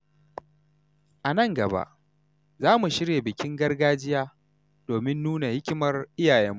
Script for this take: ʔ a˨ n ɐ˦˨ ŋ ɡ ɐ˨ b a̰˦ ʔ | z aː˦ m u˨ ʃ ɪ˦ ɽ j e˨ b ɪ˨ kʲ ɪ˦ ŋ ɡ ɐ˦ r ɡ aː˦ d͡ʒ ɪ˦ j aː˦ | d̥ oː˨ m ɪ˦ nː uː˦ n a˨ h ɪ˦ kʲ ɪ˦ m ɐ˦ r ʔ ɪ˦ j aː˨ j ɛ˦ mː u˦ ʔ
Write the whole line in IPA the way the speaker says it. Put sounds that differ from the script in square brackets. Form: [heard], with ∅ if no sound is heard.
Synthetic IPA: ʔ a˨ n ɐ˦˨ ŋ ɡ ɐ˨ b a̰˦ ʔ | z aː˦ m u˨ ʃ ɪ˦ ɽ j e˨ b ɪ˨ kʲ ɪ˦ ŋ ɡ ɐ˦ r ɡ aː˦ d͡ʒ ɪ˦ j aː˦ | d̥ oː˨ m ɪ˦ nː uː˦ n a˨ h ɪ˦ kʲ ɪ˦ m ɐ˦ r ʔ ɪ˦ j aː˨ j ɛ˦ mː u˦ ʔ